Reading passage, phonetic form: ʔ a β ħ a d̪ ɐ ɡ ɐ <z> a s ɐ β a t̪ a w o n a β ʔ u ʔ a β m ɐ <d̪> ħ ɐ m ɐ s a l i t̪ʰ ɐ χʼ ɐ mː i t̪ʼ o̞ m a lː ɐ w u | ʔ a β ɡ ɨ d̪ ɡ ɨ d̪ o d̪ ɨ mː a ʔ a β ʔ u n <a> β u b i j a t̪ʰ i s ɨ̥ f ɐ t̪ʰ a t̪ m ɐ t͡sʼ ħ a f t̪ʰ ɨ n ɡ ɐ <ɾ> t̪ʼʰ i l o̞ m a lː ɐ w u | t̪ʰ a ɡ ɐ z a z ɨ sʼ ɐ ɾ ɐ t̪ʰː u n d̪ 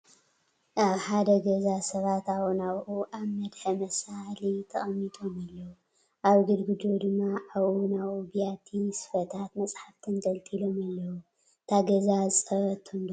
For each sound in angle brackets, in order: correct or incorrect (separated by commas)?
correct, correct, correct, incorrect